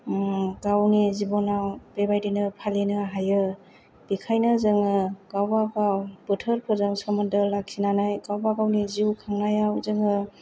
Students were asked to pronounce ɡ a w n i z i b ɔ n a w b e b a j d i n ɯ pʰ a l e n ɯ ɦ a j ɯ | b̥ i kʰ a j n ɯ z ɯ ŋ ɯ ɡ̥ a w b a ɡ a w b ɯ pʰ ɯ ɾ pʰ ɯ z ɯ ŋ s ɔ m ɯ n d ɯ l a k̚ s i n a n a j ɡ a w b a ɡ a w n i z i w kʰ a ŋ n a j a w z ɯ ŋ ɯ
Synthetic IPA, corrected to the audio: ɡ a w n i z i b ɔ n a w b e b a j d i n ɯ pʰ a l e n ɯ ɦ a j ɯ | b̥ i kʰ a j n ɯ z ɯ ŋ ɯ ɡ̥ a w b a ɡ a w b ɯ tʰ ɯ ɾ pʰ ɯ z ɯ ŋ s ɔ m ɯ n d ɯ l a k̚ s i n a n a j ɡ a w b a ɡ a w n i z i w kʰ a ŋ n a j a w z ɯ ŋ ɯ